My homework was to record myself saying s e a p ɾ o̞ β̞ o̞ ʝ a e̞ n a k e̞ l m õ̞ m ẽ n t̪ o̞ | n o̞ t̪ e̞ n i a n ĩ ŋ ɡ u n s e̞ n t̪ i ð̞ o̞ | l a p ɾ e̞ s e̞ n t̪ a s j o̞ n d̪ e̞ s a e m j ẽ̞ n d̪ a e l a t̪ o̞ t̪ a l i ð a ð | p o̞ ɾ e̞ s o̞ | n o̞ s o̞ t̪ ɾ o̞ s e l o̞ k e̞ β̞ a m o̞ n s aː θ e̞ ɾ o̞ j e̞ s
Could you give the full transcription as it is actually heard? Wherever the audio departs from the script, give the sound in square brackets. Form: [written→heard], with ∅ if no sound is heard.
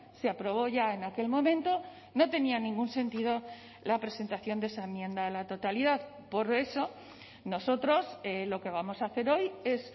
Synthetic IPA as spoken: s e a p ɾ o̞ β̞ o̞ ʝ a e̞ n a k e̞ l m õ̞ m ẽ n t̪ o̞ | n o̞ t̪ e̞ n i a n ĩ ŋ ɡ u n s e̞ n t̪ i ð̞ o̞ | l a p ɾ e̞ s e̞ n t̪ a [s→θ] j o̞ n d̪ e̞ s a e m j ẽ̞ n d̪ a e l a t̪ o̞ t̪ a l i ð a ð | p o̞ ɾ e̞ s o̞ | n o̞ s o̞ t̪ ɾ o̞ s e l o̞ k e̞ β̞ a m o̞ [n→∅] s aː θ e̞ ɾ o̞ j e̞ s